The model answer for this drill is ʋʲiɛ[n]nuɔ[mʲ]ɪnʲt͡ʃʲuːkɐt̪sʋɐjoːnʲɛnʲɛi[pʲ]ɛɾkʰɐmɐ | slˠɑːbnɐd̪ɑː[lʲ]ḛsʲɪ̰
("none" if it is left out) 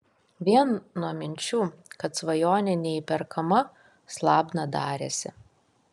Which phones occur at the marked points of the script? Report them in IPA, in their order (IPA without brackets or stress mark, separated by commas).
n, mʲ, pʲ, ɾʲ